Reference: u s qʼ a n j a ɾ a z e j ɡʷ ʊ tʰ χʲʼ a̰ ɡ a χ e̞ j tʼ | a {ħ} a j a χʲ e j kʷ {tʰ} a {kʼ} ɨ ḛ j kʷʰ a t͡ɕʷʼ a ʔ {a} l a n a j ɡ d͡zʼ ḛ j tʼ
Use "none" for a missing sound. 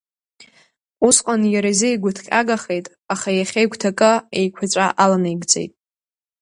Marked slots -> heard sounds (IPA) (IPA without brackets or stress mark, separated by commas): χ, tʰ, kʼ, a